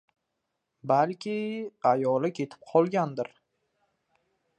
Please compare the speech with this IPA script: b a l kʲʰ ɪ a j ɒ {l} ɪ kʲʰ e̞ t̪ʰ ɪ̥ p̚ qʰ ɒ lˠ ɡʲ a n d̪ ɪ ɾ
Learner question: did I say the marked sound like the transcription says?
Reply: yes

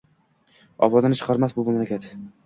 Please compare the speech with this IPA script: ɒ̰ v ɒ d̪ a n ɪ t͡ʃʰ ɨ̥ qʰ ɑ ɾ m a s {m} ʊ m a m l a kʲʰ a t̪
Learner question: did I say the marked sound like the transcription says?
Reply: no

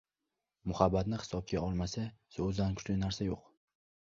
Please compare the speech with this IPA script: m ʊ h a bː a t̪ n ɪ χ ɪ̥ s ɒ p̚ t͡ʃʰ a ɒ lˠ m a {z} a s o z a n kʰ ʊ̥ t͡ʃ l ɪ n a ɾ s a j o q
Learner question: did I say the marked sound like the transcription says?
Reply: no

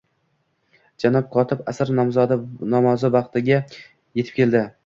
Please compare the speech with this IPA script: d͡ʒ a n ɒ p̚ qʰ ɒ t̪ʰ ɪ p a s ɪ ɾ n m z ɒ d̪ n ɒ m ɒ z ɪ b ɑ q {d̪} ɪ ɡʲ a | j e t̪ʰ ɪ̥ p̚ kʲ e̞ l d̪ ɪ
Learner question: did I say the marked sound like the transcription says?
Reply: no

